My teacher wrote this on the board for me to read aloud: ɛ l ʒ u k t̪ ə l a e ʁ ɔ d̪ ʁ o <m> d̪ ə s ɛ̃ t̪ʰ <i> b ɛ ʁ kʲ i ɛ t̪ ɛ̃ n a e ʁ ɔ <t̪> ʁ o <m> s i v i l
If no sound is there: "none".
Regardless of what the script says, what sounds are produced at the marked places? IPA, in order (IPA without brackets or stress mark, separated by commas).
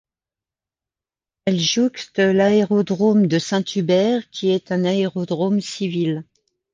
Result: m, y, d̪, m